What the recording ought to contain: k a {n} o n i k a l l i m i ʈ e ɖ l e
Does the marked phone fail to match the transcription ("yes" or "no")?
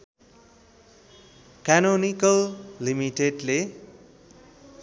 no